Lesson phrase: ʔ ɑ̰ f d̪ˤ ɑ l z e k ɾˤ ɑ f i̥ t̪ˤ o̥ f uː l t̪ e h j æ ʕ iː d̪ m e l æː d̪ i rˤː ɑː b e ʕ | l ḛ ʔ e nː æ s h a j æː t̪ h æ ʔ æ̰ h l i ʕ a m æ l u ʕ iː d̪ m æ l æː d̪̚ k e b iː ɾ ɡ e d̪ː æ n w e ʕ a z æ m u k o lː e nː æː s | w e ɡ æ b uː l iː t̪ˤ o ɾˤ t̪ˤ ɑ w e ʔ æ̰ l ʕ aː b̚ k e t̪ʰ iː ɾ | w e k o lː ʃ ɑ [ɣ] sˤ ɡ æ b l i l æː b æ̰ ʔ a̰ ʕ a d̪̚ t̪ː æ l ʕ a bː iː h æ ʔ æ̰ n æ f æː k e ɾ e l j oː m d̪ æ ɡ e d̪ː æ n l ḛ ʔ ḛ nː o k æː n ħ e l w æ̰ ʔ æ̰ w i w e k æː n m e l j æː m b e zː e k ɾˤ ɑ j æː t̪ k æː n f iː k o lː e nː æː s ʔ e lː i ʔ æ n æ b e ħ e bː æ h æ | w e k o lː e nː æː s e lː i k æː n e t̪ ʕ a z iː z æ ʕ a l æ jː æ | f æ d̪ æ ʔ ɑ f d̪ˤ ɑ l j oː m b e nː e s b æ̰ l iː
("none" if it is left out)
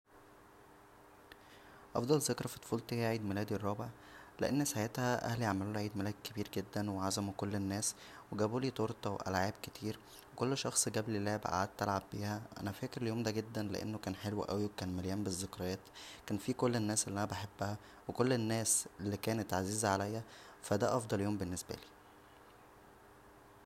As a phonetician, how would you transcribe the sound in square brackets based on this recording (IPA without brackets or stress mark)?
x